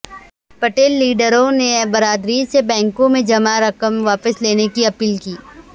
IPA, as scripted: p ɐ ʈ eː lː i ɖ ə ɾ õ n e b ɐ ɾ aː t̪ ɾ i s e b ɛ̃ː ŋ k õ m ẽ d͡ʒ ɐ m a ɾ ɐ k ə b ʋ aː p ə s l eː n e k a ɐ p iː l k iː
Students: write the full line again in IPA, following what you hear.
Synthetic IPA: p ɐ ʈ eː lː iː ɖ ə ɾ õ n e b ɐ ɾ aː d̪ ɾ i s e b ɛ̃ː ŋ k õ m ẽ d͡ʒ ɐ m a ɾ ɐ k ə m ʋ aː p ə s l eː n e k i ɐ p iː l k iː